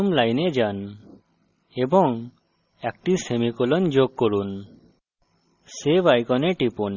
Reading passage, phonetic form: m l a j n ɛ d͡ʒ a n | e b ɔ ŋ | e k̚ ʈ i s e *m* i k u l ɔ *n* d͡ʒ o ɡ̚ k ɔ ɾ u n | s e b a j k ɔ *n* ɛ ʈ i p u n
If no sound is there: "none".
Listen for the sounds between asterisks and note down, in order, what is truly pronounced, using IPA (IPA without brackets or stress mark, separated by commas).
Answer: m, n, n